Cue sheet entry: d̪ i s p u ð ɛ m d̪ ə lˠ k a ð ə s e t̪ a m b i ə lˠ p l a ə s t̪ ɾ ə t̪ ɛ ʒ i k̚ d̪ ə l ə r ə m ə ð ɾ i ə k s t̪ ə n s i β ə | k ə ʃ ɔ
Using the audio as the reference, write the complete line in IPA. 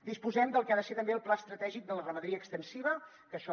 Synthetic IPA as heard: d̪ i s p u z ɛ m d̪ ə lˠ k a ð ə s e t̪ ə m b e ə lˠ p l a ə s t̪ ɾ ə t̪ ɛ ʒ i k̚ d̪ ə l ə r ə m ə ð ɾ i ə k s t̪ ə n s i β ə | k ə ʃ ɔ